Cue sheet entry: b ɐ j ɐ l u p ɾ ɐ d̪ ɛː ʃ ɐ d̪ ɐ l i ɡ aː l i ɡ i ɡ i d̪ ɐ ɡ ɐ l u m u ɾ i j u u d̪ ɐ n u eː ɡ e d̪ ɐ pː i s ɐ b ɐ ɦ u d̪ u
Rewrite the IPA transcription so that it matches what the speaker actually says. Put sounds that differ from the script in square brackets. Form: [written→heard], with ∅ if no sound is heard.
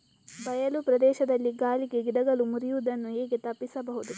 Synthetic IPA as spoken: b ɐ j ɐ l u p ɾ ɐ d̪ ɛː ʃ ɐ d̪ ɐ [l→lː] i ɡ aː l i ɡ [i→e] ɡ i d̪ ɐ ɡ ɐ l u m u ɾ i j u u d̪ ɐ [n→nː] u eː ɡ e [d̪→t̪] ɐ pː i s ɐ b ɐ ɦ u d̪ u